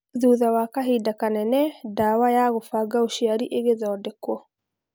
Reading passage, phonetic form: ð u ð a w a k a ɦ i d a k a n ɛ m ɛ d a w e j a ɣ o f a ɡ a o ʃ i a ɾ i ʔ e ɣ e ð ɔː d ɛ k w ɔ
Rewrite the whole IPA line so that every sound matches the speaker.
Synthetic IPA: ð u ð a w a k a ɦ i d a k a n ɛ n ɛ d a w a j a ɣ o f a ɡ a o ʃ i a ɾ i ʔ e ɣ e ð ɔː d ɛ k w ɔ